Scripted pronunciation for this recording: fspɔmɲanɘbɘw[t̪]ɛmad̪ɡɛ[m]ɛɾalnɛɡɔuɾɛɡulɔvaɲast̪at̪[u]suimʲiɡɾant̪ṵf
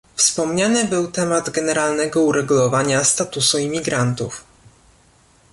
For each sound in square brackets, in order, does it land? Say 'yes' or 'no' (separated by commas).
yes, no, yes